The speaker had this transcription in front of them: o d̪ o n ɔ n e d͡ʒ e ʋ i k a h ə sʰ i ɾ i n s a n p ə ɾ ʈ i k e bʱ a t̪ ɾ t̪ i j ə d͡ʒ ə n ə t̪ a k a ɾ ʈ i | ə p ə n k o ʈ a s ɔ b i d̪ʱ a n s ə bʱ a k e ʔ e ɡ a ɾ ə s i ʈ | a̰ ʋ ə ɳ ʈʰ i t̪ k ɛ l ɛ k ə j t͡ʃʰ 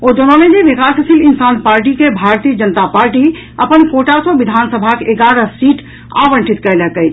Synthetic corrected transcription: o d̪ o n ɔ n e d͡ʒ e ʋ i k a s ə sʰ i l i n s a n p a ɾ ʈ i k e bʱ a ɾ t̪ i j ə d͡ʒ ə n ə t̪ a p a ɾ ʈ i | ə p ə n k o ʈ a s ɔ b i d̪ʱ a n s ə bʱ a k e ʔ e ɡ a ɾ ə s i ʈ | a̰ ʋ ə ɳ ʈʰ i t̪ k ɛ l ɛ k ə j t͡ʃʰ